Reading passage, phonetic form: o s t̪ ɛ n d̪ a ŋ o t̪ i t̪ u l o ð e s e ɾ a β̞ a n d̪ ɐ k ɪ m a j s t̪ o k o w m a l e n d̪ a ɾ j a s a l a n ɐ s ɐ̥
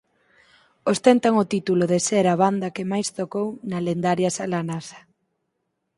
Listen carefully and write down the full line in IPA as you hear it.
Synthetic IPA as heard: o s t̪ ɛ n t̪ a ŋ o t̪ i t̪ u l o ð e s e ɾ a β̞ a n d̪ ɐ k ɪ m a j s t̪ o k o w n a l e n d̪ a ɾ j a s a l a n a s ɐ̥